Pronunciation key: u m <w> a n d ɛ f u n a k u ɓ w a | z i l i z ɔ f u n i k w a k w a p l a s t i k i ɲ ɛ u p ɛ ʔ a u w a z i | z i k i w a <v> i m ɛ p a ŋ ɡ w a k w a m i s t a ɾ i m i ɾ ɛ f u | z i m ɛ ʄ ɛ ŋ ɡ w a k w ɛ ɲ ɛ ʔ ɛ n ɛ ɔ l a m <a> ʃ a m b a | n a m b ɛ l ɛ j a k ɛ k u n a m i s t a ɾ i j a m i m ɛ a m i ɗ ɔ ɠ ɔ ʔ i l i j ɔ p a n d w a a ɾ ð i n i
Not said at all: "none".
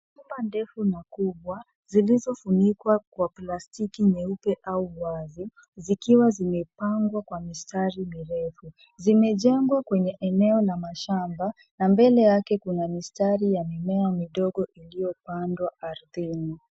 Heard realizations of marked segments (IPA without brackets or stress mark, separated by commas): b, z, a